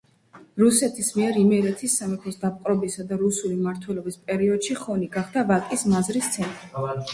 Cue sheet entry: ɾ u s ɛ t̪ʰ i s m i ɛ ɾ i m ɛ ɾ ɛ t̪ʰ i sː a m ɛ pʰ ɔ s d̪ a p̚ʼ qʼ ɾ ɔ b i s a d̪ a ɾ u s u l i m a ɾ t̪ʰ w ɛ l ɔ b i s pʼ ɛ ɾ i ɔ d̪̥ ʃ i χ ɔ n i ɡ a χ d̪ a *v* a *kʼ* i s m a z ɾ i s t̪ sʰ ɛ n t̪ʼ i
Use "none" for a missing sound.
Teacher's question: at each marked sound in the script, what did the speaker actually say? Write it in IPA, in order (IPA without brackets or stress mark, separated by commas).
v, kʼ